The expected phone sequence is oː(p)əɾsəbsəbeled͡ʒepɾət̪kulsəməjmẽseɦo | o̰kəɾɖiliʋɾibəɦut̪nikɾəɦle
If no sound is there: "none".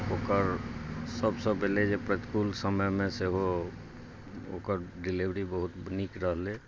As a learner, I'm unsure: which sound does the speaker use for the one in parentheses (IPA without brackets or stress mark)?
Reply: k